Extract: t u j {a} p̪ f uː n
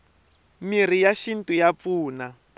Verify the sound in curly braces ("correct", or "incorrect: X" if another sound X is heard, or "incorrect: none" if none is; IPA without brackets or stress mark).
correct